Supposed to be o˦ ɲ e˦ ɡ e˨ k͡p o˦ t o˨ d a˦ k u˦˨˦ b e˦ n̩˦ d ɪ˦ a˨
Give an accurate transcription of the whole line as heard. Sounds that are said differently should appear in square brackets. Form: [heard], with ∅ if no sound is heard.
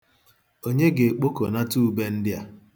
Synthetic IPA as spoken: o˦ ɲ e˦ ɡ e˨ k͡p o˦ [k] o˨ [n] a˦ [t] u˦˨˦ b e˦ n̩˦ d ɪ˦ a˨